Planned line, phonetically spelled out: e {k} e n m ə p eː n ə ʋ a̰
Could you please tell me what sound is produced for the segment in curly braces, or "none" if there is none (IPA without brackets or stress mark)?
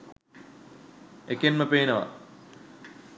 k